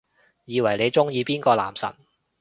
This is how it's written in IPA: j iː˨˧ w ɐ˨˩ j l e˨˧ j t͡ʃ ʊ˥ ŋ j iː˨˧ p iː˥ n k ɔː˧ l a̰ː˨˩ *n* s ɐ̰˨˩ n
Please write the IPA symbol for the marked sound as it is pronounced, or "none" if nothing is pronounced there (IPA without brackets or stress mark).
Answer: m